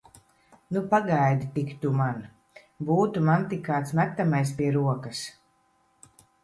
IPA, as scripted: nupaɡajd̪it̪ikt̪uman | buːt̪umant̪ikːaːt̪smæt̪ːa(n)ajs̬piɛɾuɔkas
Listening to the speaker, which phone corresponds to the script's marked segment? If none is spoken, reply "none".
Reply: m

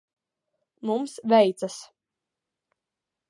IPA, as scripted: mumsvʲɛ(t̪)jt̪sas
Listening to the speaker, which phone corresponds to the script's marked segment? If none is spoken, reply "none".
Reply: none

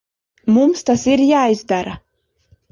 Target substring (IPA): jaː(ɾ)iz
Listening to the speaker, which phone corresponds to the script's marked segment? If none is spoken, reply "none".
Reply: none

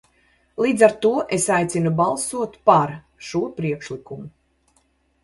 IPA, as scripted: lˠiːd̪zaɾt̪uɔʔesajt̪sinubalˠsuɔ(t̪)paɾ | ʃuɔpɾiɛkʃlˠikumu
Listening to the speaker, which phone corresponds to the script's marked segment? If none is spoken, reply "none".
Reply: t̪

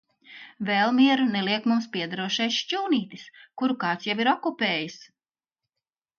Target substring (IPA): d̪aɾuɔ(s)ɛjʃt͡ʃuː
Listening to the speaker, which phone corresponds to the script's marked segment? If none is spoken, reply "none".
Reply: ʃ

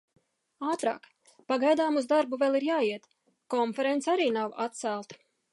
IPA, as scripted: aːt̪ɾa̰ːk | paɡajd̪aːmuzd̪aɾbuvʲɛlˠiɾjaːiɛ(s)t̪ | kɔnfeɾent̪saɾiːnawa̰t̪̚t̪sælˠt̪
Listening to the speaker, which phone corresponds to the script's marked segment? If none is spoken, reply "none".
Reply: none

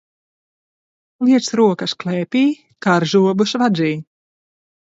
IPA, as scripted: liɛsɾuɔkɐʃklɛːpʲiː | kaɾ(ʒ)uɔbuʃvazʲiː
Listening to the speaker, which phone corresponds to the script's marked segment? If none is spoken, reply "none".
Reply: ʒ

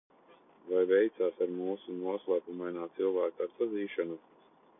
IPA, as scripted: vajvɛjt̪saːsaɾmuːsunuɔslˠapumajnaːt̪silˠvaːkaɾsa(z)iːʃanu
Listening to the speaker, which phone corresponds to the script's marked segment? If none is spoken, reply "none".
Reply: z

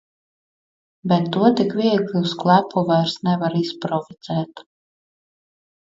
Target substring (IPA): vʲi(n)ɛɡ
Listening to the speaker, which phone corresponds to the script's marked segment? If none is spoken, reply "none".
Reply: none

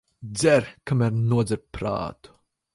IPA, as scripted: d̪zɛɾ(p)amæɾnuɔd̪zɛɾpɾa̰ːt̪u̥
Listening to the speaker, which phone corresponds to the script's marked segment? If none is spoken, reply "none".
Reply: k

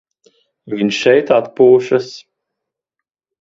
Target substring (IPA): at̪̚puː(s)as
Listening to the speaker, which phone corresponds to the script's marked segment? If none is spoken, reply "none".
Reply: ʃ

